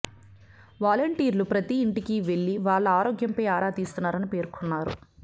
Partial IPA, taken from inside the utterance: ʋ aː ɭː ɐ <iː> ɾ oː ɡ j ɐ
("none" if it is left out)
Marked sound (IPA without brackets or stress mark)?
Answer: aː